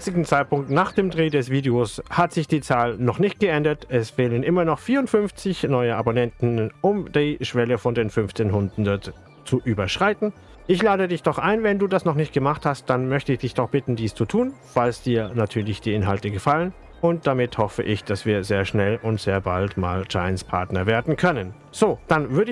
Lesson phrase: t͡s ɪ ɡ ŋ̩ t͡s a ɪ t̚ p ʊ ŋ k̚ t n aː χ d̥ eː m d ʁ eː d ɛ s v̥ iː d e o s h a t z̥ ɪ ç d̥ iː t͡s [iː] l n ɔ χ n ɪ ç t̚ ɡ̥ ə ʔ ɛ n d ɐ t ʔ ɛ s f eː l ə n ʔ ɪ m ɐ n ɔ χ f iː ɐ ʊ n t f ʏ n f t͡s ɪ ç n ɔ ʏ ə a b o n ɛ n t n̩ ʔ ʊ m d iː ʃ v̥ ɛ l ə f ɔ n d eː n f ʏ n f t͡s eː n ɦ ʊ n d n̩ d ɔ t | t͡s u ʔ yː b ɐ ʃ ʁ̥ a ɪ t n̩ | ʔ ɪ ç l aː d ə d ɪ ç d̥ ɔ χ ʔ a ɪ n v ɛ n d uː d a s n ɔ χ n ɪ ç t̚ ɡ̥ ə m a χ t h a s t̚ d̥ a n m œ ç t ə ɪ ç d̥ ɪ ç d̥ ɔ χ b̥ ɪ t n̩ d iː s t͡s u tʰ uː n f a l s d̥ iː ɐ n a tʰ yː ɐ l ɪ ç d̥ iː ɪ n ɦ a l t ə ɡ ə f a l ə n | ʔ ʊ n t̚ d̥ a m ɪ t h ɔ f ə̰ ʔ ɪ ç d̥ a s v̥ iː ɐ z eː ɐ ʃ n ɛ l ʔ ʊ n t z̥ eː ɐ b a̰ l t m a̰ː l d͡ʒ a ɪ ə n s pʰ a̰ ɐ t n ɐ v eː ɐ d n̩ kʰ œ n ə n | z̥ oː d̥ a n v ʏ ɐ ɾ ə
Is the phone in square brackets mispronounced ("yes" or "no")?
yes